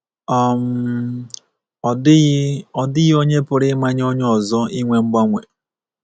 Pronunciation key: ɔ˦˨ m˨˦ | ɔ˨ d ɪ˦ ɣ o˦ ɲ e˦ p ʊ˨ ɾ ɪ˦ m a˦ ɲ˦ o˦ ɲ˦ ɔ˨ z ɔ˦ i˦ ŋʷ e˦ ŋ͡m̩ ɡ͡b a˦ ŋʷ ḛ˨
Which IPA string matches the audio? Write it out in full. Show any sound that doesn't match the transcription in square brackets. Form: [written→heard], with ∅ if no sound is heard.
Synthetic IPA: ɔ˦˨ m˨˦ | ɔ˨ d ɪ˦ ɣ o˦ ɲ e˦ p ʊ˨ ɾ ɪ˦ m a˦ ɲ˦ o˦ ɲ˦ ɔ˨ z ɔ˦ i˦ ŋʷ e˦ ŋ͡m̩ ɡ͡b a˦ ŋʷ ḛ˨